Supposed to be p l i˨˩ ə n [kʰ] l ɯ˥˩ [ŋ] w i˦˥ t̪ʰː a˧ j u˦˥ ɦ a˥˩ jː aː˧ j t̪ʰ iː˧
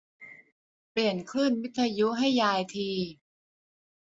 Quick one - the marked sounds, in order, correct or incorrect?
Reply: correct, incorrect

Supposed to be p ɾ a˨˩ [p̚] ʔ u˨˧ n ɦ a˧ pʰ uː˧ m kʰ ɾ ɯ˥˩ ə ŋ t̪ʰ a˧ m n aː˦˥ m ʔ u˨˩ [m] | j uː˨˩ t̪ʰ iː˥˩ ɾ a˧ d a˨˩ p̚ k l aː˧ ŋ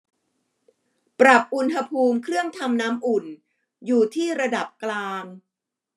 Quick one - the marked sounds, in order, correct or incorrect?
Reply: correct, incorrect

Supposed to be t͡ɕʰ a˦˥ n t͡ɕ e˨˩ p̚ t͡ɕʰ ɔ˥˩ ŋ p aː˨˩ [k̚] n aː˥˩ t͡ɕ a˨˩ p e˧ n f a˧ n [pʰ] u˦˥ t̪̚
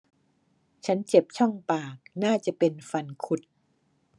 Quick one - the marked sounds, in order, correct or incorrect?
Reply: correct, incorrect

